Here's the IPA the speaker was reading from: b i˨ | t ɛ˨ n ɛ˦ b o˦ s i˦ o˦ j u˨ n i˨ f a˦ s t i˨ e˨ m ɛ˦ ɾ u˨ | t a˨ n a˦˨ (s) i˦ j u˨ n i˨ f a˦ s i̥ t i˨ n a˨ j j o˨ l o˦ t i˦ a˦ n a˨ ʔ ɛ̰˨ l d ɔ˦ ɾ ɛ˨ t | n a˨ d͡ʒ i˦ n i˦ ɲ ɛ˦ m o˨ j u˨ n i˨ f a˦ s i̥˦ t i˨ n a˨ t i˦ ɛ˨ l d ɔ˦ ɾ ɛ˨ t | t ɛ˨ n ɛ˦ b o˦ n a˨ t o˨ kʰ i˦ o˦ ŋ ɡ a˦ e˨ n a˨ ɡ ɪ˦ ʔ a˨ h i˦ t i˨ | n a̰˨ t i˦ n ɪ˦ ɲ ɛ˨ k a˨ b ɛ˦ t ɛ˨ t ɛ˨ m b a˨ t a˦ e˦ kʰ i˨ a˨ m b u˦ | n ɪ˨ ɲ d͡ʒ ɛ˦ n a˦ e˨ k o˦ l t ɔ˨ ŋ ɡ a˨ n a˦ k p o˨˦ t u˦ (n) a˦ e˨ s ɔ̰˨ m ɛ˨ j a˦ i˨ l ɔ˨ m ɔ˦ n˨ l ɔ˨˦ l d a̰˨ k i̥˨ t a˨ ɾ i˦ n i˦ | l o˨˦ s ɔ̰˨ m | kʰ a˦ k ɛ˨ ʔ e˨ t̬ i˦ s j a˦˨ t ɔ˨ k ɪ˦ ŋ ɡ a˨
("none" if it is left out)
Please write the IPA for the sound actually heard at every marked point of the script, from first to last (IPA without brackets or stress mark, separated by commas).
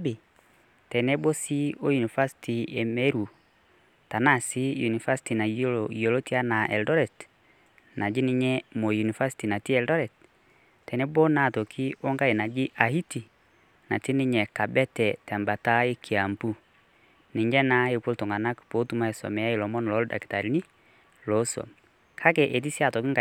s, m